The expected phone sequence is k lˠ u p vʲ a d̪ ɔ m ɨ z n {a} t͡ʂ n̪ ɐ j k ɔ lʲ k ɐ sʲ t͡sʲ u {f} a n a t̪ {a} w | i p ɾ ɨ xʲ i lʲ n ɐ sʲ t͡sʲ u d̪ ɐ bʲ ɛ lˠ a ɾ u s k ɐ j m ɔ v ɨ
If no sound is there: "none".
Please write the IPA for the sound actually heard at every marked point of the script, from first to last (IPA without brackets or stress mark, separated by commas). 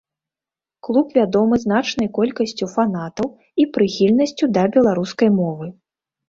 a, f, ɐ